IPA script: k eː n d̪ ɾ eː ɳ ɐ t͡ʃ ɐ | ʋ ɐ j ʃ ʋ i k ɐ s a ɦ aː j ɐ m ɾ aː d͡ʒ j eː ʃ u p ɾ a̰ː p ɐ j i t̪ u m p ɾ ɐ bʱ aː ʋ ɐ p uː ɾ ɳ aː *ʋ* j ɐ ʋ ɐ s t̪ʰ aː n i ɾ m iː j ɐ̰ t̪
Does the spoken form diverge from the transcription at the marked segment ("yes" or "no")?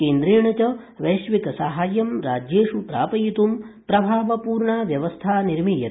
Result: no